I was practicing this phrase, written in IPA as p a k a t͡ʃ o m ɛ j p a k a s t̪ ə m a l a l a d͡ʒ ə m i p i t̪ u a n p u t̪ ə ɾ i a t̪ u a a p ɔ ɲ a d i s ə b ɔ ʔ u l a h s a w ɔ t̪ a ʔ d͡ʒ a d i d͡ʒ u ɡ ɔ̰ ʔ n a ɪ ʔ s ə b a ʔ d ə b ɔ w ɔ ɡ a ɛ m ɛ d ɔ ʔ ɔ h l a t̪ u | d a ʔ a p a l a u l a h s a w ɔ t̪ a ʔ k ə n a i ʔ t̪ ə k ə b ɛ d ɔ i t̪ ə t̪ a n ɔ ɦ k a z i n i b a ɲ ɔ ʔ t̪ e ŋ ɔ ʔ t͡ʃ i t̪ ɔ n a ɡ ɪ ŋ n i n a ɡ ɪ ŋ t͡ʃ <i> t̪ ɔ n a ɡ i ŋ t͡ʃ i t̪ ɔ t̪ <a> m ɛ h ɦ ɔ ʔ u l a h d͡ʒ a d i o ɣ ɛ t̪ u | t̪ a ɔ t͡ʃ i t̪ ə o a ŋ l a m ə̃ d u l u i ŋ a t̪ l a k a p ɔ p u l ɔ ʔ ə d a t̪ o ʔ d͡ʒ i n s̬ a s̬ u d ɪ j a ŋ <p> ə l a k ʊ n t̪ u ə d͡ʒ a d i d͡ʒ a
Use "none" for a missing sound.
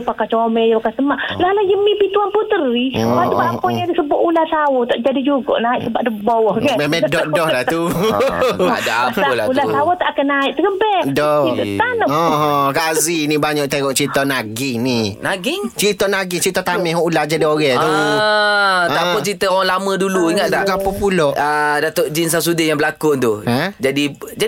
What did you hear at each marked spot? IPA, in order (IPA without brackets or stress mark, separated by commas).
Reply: i, a, b